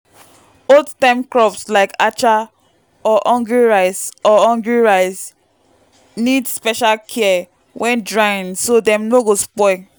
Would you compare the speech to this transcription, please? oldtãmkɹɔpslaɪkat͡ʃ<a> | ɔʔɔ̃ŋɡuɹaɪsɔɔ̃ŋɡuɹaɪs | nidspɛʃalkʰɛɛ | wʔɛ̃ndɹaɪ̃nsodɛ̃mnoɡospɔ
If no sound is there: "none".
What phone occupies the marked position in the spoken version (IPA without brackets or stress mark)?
a